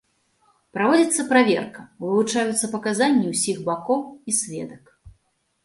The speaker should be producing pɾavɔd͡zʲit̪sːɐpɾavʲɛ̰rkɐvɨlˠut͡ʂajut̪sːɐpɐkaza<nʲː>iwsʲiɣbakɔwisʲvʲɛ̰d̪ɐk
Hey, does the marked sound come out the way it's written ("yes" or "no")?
yes